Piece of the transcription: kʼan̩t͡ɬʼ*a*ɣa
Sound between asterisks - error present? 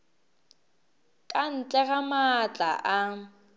yes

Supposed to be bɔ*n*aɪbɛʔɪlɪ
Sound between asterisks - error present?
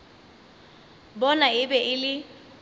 no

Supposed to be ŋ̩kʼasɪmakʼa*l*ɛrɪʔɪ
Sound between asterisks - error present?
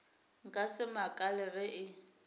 no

